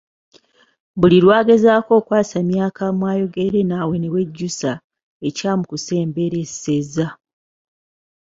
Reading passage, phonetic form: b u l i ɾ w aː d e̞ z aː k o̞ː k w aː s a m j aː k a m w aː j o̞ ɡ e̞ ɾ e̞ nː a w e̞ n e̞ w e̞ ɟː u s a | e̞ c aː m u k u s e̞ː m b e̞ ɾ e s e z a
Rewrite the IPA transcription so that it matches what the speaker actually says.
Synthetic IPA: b u l i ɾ w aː ɡ e̞ z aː k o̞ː k w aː s a m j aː k a m w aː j o̞ ɡ e̞ ɾ e̞ n a w e̞ n e̞ w e̞ ɟː u s a | e̞ c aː m u k u s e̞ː m b e̞ ɾ e s e z a